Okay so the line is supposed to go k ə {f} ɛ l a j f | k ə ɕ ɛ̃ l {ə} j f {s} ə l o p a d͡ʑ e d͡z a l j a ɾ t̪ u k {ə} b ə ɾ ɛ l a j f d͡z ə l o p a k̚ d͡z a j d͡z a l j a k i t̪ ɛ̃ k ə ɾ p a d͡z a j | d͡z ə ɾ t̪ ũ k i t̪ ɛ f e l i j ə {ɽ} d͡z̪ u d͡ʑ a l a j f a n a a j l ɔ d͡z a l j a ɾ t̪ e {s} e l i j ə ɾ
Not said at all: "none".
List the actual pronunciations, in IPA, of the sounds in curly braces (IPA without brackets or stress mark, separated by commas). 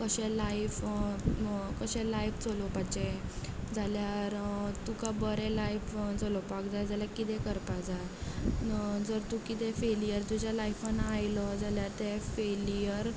ɕ, a, t͡s, a, ɾ, f